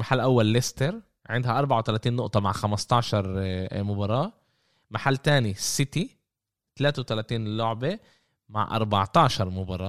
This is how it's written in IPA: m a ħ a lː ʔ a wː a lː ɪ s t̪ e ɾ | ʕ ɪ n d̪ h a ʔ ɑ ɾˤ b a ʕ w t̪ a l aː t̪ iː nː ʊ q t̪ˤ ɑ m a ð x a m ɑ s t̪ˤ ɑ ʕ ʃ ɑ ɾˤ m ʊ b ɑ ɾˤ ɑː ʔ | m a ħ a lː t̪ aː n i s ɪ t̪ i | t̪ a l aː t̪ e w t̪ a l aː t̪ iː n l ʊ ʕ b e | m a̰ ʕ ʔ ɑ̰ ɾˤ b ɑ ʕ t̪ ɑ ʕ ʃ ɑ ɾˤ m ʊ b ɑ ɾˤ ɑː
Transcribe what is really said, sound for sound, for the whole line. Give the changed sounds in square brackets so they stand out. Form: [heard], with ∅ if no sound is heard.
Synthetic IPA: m a ħ a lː ʔ a wː a lː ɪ s t̪ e ɾ | ʕ ɪ n d̪ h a ʔ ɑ ɾˤ b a ʕ w t̪ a l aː t̪ iː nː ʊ [ʔ] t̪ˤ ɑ m a [ʕ] x a m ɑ s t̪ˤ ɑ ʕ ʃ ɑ ɾˤ m ʊ b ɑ ɾˤ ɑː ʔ | m a ħ a lː t̪ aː n i s ɪ t̪ i | t̪ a l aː t̪ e w t̪ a l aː t̪ iː n l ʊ ʕ b e | m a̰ ʕ ʔ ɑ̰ ɾˤ b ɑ ʕ t̪ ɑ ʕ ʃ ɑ ɾˤ m ʊ b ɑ ɾˤ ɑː